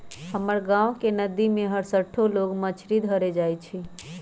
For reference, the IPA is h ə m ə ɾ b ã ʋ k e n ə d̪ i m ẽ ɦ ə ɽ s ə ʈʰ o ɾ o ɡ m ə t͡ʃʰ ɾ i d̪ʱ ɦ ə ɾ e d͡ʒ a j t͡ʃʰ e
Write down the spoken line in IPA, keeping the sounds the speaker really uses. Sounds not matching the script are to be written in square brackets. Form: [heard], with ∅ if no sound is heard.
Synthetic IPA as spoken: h ə m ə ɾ [ɡ] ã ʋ k e n ə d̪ i m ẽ ɦ ə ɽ s ə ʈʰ o [l] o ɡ m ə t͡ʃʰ ɾ i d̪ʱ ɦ ə ɾ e d͡ʒ a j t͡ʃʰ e